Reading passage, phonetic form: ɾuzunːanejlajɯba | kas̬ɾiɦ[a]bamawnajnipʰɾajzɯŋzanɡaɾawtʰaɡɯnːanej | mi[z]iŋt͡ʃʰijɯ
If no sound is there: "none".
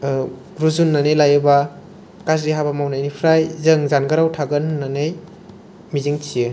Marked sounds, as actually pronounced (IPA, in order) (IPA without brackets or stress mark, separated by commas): a, z